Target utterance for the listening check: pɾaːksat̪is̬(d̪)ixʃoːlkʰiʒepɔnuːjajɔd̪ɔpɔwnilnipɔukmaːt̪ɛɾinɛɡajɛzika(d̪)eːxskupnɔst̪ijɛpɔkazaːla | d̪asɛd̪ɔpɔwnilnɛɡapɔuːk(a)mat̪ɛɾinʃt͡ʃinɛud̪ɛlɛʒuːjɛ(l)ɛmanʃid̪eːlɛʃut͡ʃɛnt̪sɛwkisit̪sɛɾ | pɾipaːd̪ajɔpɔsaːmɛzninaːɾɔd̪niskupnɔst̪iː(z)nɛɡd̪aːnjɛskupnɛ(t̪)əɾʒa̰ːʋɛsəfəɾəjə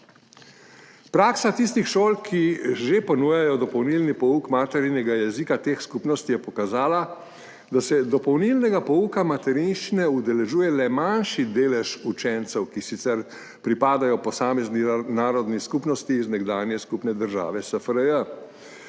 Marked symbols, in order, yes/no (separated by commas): no, no, yes, yes, yes, no